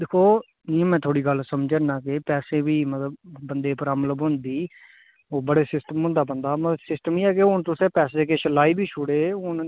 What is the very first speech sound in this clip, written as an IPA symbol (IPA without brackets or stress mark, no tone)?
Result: d̪